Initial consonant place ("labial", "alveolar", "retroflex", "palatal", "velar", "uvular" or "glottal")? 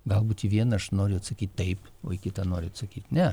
velar